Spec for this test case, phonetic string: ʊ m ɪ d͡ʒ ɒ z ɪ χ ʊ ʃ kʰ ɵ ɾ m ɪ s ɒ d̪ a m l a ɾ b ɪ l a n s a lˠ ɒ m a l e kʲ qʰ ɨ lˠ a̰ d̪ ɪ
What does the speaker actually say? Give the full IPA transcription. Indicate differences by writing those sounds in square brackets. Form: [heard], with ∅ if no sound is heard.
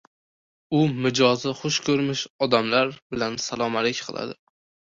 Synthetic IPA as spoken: ʊ m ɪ d͡ʒ ɒ z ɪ χ ʊ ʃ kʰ ɵ ɾ m ɪ [ʃ] ɒ d̪ a m l a ɾ b ɪ l a n s a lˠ ɒ m a l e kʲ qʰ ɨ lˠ a̰ d̪ ɪ